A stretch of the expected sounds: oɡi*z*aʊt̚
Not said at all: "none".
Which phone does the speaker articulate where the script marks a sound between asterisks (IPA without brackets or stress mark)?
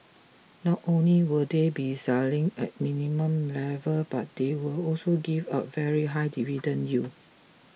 v